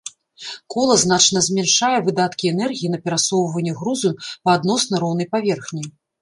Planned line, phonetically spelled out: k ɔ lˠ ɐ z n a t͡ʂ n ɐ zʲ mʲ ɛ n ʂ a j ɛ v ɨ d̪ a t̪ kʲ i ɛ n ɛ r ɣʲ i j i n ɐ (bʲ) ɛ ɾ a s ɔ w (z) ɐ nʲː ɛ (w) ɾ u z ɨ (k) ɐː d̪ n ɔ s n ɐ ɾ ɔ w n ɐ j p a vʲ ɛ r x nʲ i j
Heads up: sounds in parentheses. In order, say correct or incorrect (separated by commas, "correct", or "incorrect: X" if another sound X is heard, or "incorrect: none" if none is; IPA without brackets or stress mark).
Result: incorrect: pʲ, incorrect: v, incorrect: ɣ, incorrect: p